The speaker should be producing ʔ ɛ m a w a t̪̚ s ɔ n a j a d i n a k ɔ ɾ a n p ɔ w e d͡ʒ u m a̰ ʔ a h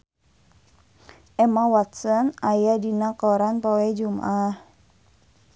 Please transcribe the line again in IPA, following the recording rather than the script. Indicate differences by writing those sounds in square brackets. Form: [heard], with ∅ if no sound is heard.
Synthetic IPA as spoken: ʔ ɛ m a w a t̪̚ s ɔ n a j a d i n a k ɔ ɾ a n p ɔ w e d͡ʒ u m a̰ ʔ a h